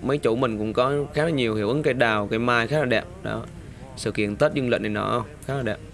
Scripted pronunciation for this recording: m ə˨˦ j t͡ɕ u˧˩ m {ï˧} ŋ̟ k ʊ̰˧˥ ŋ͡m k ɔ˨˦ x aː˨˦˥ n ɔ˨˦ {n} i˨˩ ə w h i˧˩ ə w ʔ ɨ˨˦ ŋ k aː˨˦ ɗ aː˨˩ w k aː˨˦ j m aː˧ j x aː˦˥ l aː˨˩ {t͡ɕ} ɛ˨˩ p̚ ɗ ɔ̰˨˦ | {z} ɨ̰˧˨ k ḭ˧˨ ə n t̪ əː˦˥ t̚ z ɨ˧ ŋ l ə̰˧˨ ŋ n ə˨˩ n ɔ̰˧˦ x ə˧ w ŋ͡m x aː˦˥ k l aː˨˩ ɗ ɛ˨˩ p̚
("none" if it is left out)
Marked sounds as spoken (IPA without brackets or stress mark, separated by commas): ï˨˩, ɲ, none, s